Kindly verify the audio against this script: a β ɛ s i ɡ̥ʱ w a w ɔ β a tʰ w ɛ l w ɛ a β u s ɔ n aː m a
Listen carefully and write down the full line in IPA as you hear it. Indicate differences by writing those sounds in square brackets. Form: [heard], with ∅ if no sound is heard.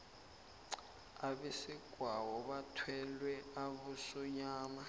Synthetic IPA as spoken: a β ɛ s i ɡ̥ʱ w a w ɔ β a tʰ w ɛ l w ɛ a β u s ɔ [ɲ] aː m a